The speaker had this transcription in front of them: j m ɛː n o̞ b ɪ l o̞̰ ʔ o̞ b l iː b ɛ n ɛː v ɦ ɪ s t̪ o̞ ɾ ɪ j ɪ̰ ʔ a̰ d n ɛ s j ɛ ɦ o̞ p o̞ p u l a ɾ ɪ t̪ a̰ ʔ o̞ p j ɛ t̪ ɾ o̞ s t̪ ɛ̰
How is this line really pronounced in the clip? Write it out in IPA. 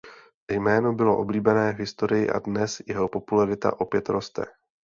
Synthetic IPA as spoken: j m ɛː n o̞ b ɪ l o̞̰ ʔ o̞ b l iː b ɛ n ɛː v ɦ ɪ s t̪ o̞ ɾ ɪ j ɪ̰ ʔ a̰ d n ɛ s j ɛ ɦ o̞ p o̞ p u l a ɾ ɪ t̪ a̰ ʔ o̞ p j ɛ t̪ ɾ o̞ s t̪ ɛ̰